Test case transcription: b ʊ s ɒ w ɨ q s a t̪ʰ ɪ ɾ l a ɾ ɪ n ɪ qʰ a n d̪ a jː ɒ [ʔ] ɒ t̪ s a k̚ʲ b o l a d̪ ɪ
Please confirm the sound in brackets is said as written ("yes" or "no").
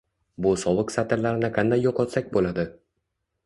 no